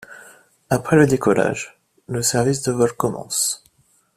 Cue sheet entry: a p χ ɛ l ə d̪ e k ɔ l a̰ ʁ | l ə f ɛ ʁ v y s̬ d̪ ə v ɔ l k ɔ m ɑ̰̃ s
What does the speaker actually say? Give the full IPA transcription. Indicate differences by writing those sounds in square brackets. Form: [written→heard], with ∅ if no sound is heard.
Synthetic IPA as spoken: a p χ ɛ l ə d̪ e k ɔ l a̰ [ʁ→ʒ] | l ə [f→s] ɛ ʁ v [y→i] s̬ d̪ ə v ɔ l k ɔ m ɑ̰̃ s